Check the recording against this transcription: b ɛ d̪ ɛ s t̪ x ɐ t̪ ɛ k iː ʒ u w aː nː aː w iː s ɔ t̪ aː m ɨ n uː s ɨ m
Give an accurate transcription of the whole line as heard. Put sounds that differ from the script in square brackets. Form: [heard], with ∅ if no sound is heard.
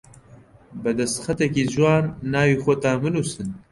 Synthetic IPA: b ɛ d̪ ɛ s t̪ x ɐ t̪ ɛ k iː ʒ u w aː nː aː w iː [x] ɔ t̪ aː m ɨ n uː s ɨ [n]